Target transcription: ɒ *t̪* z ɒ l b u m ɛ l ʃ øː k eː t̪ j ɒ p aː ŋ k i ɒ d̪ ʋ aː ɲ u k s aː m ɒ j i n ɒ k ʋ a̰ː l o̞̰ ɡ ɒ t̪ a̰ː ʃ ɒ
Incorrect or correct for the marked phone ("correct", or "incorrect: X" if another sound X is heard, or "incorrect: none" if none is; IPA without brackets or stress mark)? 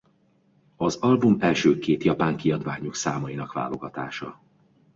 incorrect: none